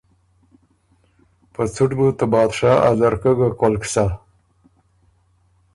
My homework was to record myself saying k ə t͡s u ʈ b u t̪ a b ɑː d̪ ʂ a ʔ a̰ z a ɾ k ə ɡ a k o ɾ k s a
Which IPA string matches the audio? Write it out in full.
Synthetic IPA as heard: p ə t͡s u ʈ b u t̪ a b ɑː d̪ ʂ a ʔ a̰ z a ɾ k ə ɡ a k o l k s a